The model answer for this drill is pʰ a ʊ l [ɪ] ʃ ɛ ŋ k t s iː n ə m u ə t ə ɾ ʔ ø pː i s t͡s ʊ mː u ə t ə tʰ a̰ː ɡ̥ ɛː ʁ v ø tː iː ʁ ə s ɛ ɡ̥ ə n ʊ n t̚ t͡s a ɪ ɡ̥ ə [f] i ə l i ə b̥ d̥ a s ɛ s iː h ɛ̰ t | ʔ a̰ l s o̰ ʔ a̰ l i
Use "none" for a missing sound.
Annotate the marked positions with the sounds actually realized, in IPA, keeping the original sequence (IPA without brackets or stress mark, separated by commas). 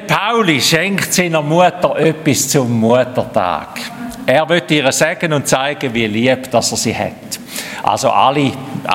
i, v